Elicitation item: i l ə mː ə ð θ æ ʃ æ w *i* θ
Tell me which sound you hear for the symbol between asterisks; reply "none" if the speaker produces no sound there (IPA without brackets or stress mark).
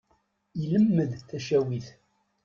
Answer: i